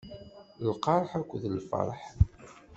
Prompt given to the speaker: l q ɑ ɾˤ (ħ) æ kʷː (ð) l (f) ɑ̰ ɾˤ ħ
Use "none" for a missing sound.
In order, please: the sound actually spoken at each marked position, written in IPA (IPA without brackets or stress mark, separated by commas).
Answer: ħ, ð, f